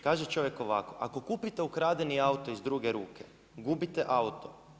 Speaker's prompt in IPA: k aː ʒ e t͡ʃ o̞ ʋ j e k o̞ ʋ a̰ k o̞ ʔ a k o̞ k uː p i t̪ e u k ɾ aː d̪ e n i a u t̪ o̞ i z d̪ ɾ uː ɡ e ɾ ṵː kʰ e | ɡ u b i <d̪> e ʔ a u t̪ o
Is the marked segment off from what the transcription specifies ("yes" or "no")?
yes